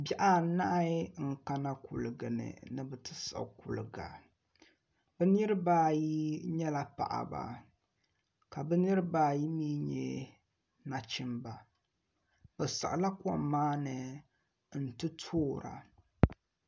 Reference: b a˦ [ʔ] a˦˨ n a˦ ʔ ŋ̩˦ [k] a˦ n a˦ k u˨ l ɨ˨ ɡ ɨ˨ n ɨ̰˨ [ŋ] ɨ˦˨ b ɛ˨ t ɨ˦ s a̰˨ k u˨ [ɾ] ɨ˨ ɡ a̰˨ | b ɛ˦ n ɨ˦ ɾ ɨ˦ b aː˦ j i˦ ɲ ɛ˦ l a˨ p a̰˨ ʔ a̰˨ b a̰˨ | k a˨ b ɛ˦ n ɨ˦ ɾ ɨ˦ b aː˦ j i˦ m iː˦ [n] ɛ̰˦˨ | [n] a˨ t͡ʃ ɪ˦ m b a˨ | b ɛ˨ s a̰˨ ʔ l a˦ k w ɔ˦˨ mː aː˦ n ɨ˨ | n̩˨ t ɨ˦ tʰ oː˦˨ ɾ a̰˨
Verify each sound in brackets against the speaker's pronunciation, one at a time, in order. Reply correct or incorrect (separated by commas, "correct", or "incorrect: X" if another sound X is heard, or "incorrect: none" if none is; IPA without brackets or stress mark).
correct, correct, incorrect: n, incorrect: l, incorrect: ɲ, correct